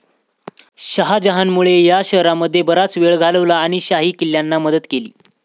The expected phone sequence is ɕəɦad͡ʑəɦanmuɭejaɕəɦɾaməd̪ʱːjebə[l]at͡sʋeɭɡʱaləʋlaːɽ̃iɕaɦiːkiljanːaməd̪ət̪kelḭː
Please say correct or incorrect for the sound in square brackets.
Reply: incorrect: ɾ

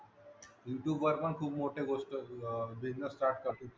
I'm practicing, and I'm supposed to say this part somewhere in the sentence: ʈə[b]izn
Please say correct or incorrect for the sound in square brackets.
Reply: correct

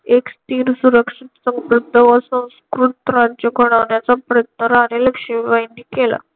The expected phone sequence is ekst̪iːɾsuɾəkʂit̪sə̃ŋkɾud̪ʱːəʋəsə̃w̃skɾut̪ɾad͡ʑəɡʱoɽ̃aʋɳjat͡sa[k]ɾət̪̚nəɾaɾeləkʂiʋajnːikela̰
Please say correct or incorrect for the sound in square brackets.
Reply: incorrect: p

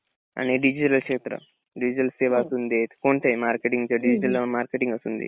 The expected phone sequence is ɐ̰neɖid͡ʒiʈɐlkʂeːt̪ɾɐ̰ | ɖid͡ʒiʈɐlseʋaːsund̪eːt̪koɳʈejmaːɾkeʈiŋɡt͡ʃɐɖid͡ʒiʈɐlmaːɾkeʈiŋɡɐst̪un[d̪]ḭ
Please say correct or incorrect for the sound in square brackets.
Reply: correct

